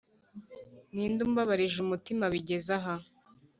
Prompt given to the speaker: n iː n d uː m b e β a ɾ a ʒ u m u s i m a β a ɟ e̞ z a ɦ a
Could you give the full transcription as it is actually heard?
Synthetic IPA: n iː n d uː m b a β a ɾ i ʒ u m u t i m a β i ɟ e̞ z a ɦ a